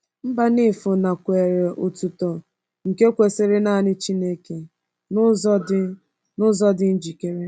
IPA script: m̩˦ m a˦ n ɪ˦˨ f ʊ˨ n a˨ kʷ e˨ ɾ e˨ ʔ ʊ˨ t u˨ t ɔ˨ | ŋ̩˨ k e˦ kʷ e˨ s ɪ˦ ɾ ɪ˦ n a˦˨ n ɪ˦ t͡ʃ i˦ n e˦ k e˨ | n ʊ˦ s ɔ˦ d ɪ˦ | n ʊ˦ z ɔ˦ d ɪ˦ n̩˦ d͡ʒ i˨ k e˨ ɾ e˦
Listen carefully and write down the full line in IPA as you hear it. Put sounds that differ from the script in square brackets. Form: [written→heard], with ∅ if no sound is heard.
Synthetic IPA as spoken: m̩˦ [m→b] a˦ n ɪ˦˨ f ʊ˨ n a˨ kʷ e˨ ɾ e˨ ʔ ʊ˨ t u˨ t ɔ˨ | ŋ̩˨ k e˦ kʷ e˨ s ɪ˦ ɾ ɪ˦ n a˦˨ n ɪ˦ t͡ʃ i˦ n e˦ k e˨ | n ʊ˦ [s→z] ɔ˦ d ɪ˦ | n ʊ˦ z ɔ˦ d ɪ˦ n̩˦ d͡ʒ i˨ k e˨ ɾ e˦